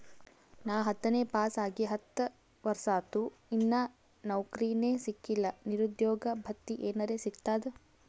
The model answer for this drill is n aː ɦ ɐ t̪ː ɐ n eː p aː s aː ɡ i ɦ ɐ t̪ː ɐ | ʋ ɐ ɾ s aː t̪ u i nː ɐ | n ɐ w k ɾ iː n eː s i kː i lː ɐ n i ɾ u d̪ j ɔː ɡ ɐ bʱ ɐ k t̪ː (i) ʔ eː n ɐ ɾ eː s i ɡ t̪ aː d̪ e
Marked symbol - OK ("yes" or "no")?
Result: yes